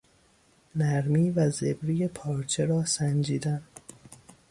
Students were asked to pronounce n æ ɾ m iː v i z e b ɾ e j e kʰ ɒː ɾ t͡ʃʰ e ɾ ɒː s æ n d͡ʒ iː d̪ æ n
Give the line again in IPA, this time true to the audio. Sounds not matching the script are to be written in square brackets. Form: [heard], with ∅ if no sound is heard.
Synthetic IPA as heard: n æ ɾ m iː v [æ] z e b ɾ [i] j e [pʰ] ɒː ɾ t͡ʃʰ e ɾ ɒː s æ n d͡ʒ iː d̪ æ n

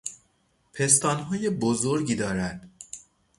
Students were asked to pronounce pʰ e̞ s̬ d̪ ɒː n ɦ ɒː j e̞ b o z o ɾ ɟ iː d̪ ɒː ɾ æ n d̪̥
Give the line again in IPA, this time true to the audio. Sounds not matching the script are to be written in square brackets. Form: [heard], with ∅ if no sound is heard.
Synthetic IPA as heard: pʰ e̞ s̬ [t̪] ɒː n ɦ ɒː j e̞ b o z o ɾ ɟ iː d̪ ɒː ɾ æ n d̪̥

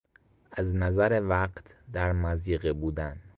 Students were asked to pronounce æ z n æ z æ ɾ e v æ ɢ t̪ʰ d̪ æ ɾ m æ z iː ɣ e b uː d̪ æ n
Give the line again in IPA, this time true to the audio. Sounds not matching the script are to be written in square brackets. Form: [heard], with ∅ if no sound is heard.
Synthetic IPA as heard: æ z n æ z æ ɾ e v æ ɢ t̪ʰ d̪ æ ɾ m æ z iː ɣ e b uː d̪ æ n

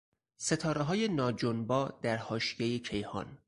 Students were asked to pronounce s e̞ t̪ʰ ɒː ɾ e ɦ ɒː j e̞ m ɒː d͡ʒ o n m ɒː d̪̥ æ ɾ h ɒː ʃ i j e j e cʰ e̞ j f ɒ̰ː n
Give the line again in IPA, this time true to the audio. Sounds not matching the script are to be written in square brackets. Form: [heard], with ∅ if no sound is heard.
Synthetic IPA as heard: s e̞ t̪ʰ ɒː ɾ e ɦ ɒː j e̞ [n] ɒː d͡ʒ o n [b] ɒː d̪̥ æ ɾ h ɒː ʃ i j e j e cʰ e̞ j [h] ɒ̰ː n

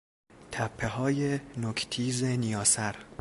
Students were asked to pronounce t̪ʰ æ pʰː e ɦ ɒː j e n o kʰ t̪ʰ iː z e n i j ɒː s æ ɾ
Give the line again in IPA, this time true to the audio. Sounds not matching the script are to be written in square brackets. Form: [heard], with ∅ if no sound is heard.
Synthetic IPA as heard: t̪ʰ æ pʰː e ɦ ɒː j e n o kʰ t̪ʰ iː z e n i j ɒː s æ ɾ

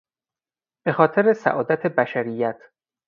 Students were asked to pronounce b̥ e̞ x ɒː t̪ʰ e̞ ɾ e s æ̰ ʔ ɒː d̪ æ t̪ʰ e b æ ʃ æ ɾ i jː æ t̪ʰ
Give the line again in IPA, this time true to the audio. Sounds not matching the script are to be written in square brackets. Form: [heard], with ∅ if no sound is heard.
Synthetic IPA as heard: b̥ e̞ x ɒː t̪ʰ e̞ ɾ e s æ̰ ʔ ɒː d̪ æ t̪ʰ e b æ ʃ æ ɾ i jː æ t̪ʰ

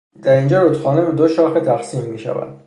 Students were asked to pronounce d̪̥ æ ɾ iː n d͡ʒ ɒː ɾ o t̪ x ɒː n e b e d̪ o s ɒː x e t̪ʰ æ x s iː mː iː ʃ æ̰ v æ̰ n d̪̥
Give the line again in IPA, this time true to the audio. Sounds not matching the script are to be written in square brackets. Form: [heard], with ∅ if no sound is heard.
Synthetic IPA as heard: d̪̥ æ ɾ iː n d͡ʒ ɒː ɾ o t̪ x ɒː n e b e d̪ o [ʃ] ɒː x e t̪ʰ æ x s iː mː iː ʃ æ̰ v æ̰ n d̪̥

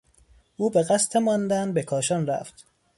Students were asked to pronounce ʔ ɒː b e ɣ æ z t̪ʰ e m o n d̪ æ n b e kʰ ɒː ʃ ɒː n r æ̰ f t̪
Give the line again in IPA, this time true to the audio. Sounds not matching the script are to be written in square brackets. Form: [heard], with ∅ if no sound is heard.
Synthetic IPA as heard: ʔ [uː] b e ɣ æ [s] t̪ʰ e m [ɒ] n d̪ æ n b e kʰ ɒː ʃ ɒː n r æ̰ f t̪

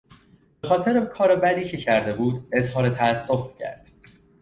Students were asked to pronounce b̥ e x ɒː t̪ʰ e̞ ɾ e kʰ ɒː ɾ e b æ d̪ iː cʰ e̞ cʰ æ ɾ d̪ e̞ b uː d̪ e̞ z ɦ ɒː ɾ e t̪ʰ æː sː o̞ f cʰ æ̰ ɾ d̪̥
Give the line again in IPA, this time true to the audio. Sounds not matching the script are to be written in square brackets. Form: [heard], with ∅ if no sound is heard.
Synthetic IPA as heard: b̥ e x ɒː t̪ʰ e̞ ɾ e kʰ ɒː ɾ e b æ d̪ iː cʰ e̞ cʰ æ ɾ d̪ e̞ b uː d̪ e̞ z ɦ ɒː ɾ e t̪ʰ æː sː o̞ f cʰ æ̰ ɾ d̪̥

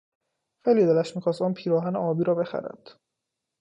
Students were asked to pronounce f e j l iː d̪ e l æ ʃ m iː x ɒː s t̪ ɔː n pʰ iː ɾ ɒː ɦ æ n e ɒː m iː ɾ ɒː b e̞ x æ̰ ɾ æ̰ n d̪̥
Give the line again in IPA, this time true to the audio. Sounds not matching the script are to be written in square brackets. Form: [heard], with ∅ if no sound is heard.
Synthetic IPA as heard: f e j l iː d̪ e l æ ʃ m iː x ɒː s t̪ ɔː n pʰ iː ɾ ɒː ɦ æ n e ɒː [b] iː ɾ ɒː b e̞ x æ̰ ɾ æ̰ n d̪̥

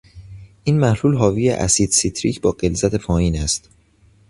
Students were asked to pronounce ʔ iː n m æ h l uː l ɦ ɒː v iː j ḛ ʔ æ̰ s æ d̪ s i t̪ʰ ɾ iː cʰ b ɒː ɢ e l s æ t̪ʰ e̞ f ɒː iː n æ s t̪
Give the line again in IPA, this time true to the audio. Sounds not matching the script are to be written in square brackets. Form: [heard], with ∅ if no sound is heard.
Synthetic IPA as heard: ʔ iː n m æ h l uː l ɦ ɒː v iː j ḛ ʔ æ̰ s [i] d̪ s i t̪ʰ ɾ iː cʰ b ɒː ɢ e l [z] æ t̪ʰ e̞ f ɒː iː n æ s t̪

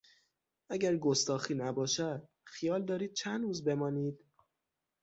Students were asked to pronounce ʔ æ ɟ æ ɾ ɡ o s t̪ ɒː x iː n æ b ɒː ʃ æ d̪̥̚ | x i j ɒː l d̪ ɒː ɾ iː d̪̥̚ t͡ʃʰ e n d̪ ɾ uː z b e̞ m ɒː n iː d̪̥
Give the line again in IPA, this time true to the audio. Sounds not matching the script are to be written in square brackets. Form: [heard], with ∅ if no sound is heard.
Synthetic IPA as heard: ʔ æ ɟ æ ɾ ɡ o s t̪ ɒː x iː n æ b ɒː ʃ æ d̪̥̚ | x i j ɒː l d̪ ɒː ɾ iː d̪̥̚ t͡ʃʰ [æ] n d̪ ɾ uː z b e̞ m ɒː n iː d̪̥

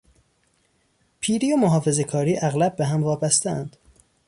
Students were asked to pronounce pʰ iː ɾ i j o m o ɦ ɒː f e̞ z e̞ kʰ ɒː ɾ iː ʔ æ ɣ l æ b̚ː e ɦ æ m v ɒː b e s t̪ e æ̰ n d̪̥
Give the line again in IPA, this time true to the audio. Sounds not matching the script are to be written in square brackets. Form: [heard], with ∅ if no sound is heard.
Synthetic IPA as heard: pʰ iː ɾ i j o m o ɦ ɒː f e̞ z e̞ kʰ ɒː ɾ iː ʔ æ ɣ l æ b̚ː e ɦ æ m v ɒː b [æ] s t̪ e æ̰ n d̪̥

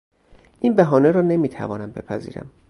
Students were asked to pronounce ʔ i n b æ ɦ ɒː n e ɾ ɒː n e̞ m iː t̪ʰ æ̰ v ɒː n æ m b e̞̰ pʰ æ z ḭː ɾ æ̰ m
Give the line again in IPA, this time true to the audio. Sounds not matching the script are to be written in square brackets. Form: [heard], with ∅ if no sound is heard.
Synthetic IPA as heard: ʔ i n b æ ɦ ɒː n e ɾ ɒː n e̞ m iː t̪ʰ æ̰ v ɒː n æ m b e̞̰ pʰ æ z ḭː ɾ æ̰ m

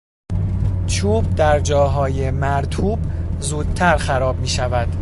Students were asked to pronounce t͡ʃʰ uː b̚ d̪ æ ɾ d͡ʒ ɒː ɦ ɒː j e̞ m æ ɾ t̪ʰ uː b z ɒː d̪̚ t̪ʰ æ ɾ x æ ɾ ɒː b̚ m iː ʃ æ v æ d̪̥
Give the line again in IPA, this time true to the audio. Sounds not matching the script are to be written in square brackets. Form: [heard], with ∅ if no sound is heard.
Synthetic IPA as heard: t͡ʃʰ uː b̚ d̪ æ ɾ d͡ʒ ɒː ɦ ɒː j e̞ m æ ɾ t̪ʰ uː b z [uː] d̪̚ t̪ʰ æ ɾ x æ ɾ ɒː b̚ m iː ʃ æ v æ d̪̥

